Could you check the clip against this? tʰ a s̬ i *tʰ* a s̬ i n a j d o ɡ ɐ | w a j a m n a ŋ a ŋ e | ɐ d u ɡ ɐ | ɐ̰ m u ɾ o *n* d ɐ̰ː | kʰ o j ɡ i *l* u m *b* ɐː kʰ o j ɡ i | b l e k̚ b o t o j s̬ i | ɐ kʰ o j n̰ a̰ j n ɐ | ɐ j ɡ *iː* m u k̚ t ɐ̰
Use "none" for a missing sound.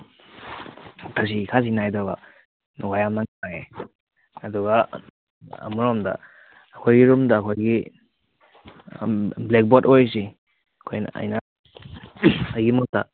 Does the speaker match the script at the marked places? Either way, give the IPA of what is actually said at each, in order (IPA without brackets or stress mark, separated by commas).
kʰ, m, ɾ, d, i